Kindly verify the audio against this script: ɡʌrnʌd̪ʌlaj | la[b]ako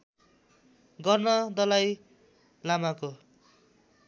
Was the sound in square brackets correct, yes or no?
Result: no